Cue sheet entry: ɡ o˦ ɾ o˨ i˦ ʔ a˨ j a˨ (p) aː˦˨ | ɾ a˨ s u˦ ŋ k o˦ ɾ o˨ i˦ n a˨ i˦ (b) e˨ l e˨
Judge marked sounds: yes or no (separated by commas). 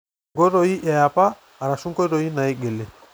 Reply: yes, no